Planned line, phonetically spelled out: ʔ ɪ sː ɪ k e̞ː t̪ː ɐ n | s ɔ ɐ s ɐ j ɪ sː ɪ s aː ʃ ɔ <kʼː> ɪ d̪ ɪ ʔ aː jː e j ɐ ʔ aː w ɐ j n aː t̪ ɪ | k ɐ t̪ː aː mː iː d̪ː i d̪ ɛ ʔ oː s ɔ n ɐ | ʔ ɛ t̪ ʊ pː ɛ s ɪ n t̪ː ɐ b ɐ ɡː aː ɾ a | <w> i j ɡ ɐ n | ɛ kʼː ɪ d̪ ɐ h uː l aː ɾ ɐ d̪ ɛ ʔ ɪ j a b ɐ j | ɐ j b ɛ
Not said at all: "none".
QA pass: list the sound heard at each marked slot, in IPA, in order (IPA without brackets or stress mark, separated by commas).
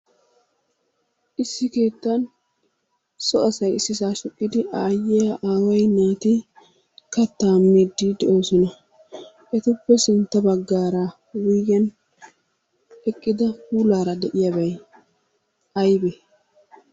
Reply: kʼː, w